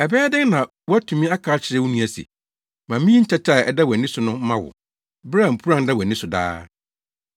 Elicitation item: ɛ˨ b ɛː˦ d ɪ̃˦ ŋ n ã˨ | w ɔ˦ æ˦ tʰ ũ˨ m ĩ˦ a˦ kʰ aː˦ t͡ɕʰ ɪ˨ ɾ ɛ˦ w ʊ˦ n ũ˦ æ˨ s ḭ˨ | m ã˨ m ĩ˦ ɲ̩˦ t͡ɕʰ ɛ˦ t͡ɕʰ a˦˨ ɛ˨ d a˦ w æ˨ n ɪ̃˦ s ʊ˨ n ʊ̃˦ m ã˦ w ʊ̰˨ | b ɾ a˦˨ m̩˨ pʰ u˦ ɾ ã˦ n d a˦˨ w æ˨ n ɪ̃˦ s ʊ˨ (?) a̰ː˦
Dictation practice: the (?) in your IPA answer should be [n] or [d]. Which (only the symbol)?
d